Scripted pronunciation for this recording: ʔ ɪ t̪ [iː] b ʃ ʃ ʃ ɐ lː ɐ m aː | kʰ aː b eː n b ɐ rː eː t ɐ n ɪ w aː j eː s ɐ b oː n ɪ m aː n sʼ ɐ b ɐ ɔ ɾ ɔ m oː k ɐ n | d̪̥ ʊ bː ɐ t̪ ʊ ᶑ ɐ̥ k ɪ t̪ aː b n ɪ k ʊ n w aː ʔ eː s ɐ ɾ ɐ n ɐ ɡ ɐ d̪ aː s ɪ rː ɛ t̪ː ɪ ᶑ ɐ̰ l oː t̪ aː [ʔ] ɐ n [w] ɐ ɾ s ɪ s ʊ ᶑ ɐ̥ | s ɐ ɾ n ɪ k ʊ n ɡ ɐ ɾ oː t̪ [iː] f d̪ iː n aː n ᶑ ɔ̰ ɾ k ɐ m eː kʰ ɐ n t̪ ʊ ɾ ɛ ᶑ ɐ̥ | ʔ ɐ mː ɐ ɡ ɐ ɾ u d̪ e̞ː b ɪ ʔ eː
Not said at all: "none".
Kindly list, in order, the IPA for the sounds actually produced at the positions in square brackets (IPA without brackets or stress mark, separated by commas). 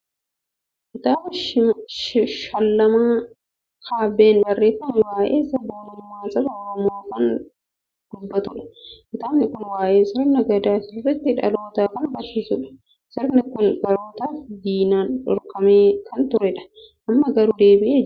aː, k, b, aː